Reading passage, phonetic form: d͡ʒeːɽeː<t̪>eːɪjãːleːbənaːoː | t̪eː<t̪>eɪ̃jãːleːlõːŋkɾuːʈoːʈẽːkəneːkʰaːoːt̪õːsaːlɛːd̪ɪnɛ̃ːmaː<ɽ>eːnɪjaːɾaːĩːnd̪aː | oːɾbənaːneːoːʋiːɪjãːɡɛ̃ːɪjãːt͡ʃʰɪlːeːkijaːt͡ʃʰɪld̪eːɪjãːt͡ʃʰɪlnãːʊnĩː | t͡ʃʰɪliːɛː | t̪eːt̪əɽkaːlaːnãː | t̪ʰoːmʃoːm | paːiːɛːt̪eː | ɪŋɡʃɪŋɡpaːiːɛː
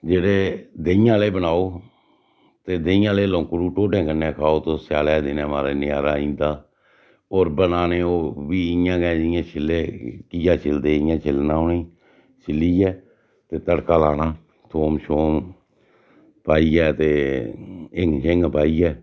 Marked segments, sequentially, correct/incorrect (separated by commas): incorrect, incorrect, incorrect